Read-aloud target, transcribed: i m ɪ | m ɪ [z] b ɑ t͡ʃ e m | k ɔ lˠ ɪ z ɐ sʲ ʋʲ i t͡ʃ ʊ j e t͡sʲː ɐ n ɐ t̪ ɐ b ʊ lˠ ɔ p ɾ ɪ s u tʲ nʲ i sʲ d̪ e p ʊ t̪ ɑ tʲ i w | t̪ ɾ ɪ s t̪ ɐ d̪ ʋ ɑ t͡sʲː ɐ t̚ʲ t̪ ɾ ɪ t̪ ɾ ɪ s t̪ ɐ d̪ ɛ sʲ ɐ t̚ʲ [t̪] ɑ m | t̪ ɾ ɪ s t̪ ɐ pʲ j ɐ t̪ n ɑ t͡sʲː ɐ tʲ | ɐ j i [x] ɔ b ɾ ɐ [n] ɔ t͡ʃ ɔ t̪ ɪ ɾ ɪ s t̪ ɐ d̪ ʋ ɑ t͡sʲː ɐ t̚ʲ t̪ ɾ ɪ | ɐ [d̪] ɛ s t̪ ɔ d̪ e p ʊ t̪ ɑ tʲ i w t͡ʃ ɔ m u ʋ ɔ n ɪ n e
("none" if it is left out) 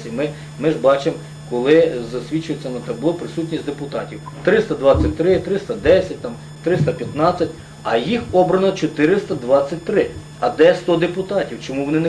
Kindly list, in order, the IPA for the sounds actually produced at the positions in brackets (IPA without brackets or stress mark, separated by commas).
ʒ, t̪, x, n, d̪